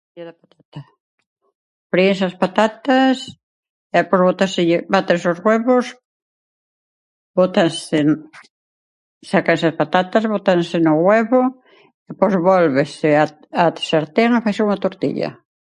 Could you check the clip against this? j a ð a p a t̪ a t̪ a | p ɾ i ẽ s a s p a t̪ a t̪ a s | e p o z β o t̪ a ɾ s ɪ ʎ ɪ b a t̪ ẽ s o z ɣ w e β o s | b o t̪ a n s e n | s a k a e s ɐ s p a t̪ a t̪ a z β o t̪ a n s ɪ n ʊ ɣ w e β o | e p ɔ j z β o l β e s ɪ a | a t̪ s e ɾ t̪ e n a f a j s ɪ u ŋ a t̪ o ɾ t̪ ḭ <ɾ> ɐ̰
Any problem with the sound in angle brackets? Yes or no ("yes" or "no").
yes